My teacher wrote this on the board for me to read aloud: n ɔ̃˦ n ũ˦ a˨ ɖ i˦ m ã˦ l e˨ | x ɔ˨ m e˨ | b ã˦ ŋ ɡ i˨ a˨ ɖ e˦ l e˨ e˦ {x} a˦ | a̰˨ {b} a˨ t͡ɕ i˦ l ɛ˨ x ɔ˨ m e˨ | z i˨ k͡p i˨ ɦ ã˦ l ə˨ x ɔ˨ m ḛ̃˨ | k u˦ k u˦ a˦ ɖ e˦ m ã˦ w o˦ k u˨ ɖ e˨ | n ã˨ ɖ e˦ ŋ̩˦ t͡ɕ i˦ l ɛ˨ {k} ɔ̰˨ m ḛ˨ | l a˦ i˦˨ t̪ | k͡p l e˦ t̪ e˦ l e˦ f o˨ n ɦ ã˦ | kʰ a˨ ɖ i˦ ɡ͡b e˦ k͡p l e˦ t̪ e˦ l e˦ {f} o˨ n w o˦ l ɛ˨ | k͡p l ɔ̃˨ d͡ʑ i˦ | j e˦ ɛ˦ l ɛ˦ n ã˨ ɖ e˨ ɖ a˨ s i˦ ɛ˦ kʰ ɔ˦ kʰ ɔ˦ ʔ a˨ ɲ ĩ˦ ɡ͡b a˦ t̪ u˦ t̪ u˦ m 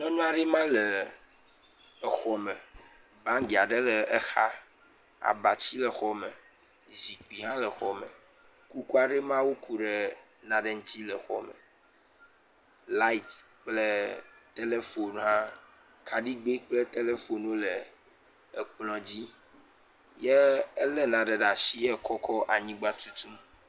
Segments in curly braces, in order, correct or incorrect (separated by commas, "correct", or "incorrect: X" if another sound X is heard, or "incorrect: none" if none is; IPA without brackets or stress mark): correct, correct, incorrect: x, correct